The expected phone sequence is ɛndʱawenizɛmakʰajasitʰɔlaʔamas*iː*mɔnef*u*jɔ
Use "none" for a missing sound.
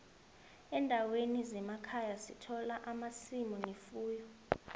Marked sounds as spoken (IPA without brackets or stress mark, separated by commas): i, uː